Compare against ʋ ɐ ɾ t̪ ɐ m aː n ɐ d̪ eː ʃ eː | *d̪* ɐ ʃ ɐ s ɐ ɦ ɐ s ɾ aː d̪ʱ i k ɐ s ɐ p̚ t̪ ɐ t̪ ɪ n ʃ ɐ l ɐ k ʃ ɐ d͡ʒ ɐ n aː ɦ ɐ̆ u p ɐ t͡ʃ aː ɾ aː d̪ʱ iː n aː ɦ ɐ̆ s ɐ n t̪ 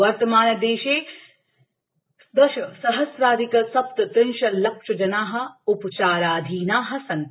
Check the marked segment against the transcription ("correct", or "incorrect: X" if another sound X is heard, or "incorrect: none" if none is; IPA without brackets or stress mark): correct